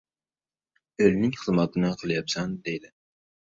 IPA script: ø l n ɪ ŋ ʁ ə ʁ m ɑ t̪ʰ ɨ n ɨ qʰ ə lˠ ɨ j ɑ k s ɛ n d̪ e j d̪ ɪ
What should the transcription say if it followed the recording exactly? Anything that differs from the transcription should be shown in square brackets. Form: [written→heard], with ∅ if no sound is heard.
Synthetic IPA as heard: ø l n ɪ ŋ [ʁ→χ] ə [ʁ→z] m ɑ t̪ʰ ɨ n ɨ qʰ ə lˠ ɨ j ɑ [k→p] s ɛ n d̪ e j d̪ ɪ